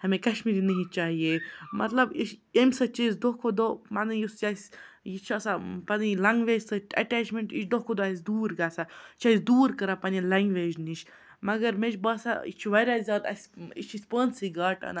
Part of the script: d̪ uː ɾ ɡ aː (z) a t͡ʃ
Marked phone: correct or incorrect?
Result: incorrect